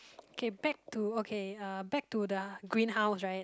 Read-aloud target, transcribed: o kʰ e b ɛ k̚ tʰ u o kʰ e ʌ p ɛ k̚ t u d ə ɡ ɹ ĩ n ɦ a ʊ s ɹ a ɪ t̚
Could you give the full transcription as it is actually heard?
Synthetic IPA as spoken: o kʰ e b ɛ k̚ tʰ u o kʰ e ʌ b ɛ k̚ t u d ə ɡ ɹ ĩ n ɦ a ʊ s ɹ a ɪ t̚